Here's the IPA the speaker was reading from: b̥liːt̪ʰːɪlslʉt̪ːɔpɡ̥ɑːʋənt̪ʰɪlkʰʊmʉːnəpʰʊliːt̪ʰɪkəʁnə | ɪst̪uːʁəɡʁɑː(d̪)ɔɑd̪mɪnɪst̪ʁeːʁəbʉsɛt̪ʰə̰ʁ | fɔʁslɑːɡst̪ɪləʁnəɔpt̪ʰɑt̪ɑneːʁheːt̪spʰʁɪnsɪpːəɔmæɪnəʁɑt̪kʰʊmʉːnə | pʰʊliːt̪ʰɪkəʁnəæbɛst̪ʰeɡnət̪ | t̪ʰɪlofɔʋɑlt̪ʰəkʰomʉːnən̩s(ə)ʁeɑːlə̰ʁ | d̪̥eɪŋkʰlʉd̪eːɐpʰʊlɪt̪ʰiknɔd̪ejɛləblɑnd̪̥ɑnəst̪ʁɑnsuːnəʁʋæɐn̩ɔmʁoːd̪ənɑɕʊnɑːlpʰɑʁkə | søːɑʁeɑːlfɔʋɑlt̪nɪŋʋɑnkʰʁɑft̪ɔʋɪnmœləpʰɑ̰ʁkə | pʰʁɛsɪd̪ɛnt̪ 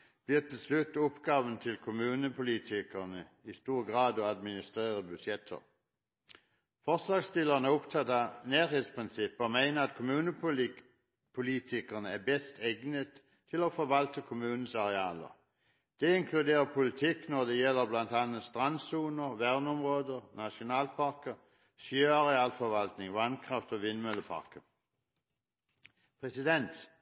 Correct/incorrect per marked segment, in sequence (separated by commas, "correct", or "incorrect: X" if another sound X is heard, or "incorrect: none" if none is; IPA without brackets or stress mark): correct, incorrect: ɑ